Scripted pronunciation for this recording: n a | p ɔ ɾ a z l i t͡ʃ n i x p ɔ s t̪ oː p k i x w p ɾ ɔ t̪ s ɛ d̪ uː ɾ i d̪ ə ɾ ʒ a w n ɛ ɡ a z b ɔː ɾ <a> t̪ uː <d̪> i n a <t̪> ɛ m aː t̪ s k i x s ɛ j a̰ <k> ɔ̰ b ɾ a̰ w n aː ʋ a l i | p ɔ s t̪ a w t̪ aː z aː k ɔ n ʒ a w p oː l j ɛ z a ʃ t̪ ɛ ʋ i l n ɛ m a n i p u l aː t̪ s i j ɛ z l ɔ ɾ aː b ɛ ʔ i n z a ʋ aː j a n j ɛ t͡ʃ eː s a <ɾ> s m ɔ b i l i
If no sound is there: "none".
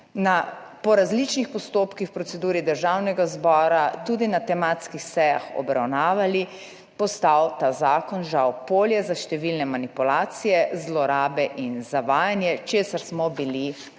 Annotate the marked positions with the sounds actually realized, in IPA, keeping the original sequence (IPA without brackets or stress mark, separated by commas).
a, d̪, t̪, x, ɾ